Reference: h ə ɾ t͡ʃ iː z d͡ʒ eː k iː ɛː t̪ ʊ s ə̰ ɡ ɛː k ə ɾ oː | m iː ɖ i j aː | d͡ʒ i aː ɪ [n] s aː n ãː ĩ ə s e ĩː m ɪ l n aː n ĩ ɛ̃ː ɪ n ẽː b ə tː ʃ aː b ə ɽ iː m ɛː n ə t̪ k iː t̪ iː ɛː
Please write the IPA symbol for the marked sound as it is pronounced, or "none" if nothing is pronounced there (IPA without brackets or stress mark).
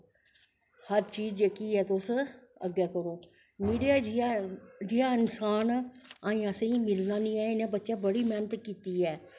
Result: n